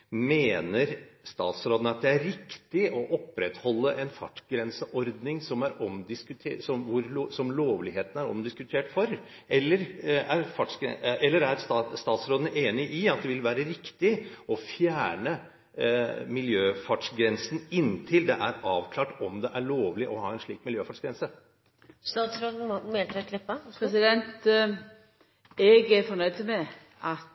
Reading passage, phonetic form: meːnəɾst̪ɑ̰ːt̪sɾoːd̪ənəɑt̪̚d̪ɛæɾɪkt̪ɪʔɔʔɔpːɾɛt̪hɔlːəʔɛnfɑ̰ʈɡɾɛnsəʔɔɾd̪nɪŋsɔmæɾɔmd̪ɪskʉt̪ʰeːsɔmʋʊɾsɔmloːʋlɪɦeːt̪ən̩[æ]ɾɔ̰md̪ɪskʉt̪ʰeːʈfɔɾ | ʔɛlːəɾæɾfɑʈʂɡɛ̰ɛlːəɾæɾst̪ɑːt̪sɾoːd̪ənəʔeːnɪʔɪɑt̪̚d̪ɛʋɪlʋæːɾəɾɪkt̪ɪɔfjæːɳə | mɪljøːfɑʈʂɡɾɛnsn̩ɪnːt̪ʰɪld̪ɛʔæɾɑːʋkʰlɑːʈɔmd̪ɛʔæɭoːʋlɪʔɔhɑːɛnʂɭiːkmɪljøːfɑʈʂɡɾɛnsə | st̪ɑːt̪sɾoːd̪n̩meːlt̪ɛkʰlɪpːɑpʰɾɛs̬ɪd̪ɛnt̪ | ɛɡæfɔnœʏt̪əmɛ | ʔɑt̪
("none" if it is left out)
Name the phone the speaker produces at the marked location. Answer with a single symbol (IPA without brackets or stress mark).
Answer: æ